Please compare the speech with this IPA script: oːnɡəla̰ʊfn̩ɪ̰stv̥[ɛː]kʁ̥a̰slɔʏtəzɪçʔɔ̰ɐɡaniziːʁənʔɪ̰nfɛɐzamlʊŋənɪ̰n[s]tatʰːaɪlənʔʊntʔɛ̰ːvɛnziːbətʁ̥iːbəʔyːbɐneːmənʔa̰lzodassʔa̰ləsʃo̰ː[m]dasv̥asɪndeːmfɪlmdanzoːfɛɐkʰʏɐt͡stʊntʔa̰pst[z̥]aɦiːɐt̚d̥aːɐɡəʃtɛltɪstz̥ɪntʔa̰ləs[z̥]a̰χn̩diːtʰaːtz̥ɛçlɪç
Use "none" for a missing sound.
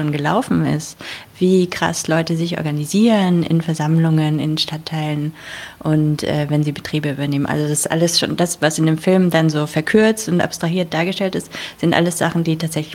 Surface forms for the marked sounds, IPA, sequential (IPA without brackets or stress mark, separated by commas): iː, ʃ, n, ʁ̥, z̥